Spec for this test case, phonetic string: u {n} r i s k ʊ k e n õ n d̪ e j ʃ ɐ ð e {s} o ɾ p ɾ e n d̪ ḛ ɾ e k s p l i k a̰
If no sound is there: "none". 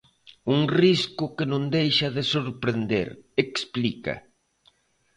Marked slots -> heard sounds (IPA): ŋ, s

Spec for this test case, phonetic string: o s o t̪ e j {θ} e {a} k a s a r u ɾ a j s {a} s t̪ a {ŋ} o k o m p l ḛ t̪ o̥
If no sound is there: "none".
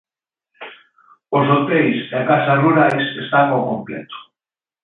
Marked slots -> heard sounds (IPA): s, a, e, ŋ

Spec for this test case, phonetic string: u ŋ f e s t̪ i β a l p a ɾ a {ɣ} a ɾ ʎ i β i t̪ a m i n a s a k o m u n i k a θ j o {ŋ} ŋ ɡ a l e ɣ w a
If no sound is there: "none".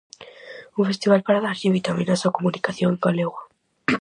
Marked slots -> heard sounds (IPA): ð, ŋ

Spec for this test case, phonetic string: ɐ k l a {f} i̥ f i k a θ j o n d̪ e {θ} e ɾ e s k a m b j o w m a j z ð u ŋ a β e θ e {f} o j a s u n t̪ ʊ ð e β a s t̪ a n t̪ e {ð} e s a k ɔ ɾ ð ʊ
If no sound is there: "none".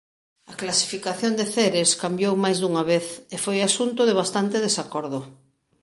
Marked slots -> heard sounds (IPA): s, θ, f, ð

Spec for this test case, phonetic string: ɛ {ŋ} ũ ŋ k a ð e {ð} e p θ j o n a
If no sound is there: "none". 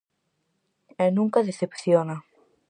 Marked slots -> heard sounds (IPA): n, θ

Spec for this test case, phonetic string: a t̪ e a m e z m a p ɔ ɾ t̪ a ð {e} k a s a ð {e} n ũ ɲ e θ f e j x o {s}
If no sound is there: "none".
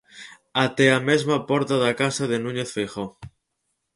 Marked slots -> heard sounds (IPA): a, e, none

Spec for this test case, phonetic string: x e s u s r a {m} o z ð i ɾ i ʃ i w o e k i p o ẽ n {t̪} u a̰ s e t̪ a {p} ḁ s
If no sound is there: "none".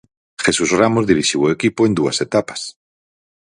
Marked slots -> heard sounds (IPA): m, d̪, p

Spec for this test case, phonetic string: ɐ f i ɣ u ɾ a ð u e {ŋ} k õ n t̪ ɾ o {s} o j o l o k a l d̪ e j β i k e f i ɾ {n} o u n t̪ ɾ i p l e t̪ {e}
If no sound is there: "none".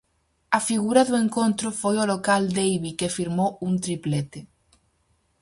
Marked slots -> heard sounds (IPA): ŋ, f, m, e

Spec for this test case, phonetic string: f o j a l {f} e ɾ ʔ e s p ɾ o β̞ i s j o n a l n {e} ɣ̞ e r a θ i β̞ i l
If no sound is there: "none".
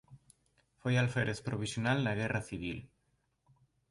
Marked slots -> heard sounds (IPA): f, a

